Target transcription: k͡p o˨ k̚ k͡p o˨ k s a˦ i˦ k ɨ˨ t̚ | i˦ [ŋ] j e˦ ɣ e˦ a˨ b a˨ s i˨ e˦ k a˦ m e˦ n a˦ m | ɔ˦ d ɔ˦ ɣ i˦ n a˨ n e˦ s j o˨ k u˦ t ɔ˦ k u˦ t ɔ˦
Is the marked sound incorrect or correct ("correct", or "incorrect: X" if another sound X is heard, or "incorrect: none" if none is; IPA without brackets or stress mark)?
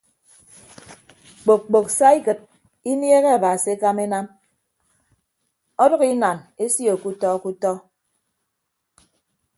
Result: incorrect: n